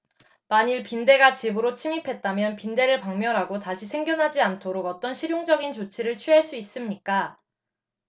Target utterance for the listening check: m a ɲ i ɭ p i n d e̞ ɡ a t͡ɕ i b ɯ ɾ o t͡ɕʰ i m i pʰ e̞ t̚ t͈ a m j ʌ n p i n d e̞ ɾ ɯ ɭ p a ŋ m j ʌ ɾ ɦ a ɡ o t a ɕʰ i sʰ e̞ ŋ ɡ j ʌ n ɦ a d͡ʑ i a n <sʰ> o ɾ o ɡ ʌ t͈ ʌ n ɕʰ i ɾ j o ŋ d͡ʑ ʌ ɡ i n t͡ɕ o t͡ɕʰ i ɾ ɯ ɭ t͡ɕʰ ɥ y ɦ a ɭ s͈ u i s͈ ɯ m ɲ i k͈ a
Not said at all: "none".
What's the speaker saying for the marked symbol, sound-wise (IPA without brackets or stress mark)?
tʰ